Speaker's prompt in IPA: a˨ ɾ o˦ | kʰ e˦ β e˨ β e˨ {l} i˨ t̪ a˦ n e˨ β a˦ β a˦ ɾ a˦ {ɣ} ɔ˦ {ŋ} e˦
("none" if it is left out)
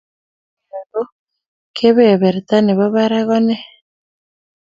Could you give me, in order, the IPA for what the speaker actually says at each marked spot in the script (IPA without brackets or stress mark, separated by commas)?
ɾ, ɣ, n